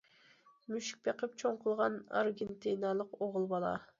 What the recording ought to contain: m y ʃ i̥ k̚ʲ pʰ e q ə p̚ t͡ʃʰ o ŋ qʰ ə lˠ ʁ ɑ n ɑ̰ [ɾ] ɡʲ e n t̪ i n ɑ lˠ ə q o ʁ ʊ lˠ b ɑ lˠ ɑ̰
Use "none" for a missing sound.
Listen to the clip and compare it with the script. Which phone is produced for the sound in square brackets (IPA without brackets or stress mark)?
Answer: ɾ